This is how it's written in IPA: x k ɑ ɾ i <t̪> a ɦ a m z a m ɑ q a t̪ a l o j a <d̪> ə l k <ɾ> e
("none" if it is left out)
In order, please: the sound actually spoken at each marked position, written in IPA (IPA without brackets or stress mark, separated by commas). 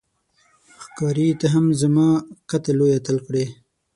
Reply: t̪, t̪, ɽ